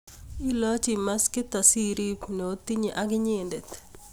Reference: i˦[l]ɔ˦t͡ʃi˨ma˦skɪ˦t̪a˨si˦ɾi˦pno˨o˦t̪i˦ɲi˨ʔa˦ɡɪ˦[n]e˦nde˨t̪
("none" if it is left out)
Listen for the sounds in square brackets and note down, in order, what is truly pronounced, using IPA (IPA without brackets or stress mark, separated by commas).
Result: l, ɲ